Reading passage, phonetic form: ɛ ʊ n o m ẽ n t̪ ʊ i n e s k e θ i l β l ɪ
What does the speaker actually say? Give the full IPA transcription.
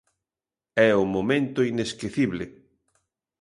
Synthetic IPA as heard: ɛ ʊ m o m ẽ n t̪ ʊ i n e s k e θ i β l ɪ